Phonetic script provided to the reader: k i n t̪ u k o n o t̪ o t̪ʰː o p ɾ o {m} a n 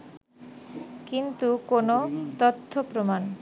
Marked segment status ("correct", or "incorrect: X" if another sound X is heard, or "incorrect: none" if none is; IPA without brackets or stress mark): correct